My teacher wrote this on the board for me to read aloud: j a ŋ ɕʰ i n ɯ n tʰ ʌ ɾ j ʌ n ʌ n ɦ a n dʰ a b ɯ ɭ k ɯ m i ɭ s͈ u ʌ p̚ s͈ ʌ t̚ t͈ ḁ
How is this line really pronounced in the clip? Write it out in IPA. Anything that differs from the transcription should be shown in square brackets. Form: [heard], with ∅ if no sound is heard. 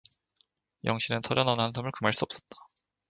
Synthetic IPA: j [ʌ] ŋ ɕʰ i n ɯ n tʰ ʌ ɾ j ʌ n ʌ n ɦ a n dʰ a [m] ɯ ɭ k ɯ m [a] ɭ s͈ u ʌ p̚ s͈ ʌ t̚ t͈ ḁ